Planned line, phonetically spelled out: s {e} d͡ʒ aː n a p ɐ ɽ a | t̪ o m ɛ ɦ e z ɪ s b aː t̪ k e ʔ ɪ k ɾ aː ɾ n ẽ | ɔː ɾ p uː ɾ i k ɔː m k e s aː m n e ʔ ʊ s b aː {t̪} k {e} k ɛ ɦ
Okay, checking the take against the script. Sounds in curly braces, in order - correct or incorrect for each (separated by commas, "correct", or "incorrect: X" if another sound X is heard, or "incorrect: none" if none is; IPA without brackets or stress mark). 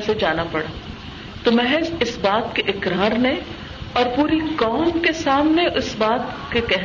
correct, correct, correct